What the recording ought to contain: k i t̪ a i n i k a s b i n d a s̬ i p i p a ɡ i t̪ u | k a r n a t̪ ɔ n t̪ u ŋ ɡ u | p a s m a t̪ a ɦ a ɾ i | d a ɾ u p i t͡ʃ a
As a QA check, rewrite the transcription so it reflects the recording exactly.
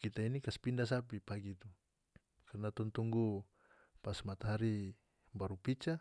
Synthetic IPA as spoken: k i t̪ a i n i k a s p i n d a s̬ a p i p a ɡ i t̪ u | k a r n a t̪ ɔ n t̪ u ŋ ɡ u | p a s m a t̪ a ɦ a ɾ i | b a ɾ u p i t͡ʃ a